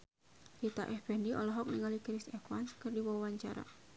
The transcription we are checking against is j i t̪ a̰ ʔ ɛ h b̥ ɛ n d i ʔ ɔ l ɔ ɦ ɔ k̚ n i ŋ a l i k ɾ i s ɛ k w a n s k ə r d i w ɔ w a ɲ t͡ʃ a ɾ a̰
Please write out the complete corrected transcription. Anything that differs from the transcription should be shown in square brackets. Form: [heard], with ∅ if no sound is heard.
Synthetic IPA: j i t̪ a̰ ʔ ɛ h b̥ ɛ n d i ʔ ɔ l ɔ ɦ ɔ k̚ n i ŋ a l i k ɾ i s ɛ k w a n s k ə r d i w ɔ w a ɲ t͡ʃ a ɾ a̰